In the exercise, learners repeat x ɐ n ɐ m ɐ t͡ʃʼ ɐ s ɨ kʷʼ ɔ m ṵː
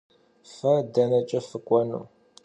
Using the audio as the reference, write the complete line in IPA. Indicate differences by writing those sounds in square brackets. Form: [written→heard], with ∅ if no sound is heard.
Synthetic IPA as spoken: [x→f] ɐ [n→d] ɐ [m→n] ɐ t͡ʃʼ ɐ [s→f] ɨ kʷʼ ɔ [m→n] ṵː